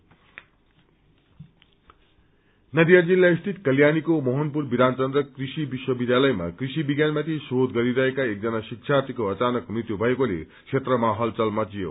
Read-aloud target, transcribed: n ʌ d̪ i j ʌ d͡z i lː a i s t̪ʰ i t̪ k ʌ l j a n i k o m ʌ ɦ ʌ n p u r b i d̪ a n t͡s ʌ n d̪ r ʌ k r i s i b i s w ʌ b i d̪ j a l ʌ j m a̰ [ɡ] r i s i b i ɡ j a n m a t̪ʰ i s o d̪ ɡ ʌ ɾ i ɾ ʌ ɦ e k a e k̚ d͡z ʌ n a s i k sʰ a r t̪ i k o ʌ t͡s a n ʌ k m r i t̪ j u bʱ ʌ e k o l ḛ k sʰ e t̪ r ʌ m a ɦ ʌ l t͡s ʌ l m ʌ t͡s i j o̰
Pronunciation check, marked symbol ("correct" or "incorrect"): incorrect